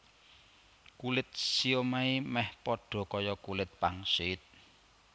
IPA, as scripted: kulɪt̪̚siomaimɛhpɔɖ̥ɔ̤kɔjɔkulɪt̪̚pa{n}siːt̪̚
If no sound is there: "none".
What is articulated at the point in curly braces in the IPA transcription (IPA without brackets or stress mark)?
ŋ